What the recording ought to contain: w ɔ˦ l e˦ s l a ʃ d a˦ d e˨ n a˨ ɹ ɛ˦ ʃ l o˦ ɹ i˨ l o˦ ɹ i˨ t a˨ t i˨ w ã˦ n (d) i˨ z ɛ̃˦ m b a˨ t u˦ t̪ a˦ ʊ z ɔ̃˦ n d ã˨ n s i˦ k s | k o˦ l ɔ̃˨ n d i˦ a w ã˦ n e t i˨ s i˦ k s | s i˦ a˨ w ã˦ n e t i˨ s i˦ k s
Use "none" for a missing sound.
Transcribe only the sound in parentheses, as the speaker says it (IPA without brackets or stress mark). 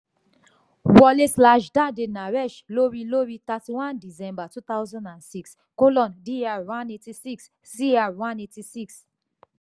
d